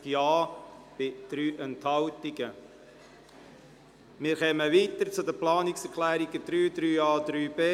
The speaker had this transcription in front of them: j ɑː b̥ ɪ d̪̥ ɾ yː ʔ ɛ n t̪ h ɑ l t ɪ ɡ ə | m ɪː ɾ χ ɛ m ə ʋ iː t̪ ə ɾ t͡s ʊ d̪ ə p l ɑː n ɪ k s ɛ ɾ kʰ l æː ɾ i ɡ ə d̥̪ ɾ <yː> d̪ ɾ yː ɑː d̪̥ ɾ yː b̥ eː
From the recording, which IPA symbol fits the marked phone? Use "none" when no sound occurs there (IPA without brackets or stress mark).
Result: yː